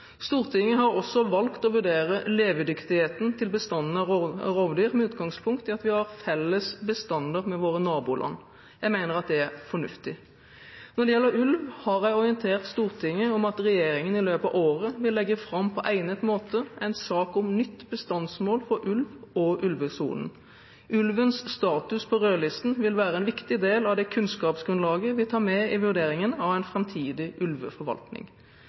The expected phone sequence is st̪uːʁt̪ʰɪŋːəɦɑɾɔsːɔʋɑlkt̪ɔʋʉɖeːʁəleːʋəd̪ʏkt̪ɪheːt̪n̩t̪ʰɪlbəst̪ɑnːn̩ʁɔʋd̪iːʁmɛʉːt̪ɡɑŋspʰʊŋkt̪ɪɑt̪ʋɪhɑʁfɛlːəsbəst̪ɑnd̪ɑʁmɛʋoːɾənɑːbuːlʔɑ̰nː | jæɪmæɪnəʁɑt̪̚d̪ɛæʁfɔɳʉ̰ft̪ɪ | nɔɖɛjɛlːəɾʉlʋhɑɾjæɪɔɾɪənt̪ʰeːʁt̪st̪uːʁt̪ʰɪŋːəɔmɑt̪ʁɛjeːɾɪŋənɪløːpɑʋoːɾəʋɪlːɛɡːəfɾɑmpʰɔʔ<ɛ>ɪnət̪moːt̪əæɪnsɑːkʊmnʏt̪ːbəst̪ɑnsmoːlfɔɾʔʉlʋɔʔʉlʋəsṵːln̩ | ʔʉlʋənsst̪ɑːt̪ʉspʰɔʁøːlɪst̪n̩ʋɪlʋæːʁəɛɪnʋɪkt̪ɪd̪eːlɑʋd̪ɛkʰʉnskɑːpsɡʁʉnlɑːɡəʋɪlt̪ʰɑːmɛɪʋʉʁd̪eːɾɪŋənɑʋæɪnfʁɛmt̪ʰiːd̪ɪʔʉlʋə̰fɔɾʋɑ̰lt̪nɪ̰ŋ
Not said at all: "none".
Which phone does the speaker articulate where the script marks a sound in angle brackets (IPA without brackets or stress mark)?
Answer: æ